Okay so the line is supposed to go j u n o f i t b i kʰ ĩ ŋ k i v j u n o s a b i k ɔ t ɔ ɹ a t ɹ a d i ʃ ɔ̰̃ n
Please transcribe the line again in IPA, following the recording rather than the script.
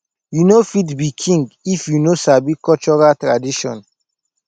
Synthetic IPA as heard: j u n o f i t b i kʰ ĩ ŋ ɡ i f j u n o s a b i k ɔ t͡ʃ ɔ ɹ a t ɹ a d i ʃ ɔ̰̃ n